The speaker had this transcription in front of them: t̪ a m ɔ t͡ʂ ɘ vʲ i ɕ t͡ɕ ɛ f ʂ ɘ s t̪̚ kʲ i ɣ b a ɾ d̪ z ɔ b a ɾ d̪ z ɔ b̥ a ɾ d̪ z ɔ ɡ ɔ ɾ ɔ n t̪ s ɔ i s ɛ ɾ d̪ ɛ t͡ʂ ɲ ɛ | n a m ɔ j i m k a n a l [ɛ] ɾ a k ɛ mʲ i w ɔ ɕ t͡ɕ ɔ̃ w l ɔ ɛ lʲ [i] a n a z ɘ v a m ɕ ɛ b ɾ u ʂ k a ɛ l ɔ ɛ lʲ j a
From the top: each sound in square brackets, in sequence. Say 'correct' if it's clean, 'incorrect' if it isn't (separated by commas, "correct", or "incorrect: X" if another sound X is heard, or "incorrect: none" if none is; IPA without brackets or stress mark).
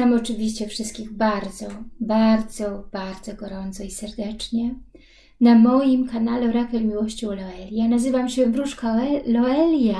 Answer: correct, incorrect: j